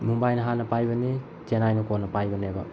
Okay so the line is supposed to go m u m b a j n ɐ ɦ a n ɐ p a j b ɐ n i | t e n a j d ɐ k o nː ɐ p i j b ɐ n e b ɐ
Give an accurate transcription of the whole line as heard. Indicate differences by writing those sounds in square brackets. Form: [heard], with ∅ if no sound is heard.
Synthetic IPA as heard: m u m b a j n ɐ ɦ a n ɐ p a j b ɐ n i | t e n a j [n] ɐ k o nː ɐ p [a] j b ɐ n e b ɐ